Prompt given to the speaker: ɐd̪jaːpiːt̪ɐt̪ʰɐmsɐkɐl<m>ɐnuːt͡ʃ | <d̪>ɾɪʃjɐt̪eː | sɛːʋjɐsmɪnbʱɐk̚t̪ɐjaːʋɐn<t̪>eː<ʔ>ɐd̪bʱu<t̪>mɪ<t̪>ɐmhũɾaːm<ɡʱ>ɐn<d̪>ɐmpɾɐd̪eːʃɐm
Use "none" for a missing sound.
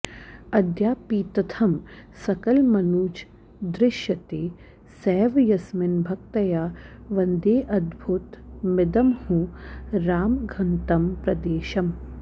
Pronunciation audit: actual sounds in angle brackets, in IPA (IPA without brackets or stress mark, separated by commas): m, d̪, d̪, ʔ, t̪, d̪, ɡʱ, t̪